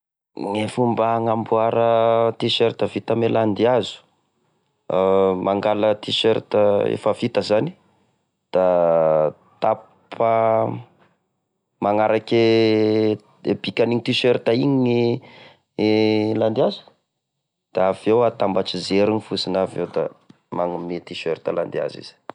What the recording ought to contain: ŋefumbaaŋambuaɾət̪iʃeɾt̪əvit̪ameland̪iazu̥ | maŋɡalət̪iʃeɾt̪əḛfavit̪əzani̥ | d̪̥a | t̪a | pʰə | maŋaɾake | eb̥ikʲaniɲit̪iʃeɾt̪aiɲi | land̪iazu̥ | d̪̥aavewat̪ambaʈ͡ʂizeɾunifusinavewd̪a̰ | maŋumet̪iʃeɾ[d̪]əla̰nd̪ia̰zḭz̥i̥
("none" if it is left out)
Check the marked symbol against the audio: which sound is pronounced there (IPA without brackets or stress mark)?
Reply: t̪